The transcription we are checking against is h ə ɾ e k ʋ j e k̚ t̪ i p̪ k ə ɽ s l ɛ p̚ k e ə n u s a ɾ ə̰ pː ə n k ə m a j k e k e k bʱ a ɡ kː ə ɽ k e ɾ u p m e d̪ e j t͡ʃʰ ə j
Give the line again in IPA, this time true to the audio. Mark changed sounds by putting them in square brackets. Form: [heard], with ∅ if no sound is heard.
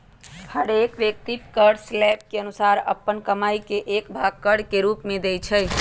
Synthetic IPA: h ə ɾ e k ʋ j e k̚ t̪ i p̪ k ə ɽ s l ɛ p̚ k e ə n u s a ɾ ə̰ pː ə n k ə m a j k e [ʔ] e k bʱ a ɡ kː ə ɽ k e ɾ u p m e d̪ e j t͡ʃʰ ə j